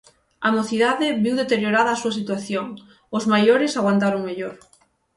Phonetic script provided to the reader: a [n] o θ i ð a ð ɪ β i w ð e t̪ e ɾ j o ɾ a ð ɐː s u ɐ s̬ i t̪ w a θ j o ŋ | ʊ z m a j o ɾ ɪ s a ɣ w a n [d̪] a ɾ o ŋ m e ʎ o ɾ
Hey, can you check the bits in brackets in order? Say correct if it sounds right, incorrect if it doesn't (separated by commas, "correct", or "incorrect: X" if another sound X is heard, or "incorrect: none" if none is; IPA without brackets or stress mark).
incorrect: m, incorrect: t̪